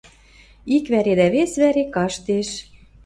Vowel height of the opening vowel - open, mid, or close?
close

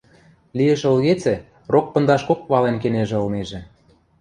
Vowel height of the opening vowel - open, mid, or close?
close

